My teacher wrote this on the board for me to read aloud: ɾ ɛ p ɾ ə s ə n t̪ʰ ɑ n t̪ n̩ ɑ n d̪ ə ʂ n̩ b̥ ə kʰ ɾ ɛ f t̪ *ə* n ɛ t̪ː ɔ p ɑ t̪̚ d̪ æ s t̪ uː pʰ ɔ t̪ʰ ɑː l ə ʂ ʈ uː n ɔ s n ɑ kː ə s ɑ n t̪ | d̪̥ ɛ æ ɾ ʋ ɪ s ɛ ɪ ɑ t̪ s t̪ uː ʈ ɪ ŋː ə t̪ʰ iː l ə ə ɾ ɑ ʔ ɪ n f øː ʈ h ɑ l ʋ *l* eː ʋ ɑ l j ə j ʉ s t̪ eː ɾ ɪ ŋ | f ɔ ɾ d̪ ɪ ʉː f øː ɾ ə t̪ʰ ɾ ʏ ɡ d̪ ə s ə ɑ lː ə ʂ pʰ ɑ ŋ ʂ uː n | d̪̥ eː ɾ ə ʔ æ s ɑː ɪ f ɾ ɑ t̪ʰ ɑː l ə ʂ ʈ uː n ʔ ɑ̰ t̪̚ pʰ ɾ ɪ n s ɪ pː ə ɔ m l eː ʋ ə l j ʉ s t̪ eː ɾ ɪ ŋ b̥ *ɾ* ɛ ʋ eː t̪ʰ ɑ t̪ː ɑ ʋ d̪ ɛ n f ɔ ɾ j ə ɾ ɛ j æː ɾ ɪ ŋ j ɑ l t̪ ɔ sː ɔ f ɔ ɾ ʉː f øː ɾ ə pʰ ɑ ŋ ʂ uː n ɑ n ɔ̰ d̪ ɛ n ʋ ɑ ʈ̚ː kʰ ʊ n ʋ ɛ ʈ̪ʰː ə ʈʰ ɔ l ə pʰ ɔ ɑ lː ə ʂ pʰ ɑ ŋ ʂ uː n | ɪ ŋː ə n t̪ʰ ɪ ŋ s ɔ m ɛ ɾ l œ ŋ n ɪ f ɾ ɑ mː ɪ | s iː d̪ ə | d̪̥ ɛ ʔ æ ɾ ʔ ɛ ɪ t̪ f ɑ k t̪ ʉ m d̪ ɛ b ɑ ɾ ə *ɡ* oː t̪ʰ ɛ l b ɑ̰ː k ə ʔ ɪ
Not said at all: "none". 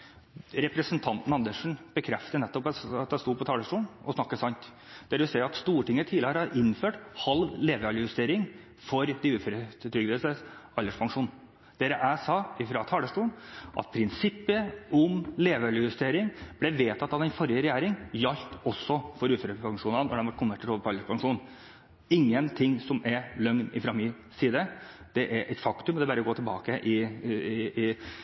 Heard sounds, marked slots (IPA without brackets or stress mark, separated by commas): ə, l, l, ɡ